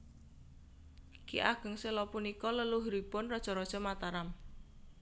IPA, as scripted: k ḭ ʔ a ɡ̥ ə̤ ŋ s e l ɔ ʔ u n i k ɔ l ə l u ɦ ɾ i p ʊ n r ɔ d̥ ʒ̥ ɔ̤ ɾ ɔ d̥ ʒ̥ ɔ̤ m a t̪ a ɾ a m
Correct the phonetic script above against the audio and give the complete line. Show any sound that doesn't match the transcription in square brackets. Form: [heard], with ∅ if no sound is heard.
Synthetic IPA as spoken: k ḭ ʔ a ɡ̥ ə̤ ŋ s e l ɔ [p] u n i k ɔ l ə l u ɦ ɾ i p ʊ n r ɔ d̥ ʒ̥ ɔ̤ ɾ ɔ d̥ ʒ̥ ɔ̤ m a t̪ a ɾ a m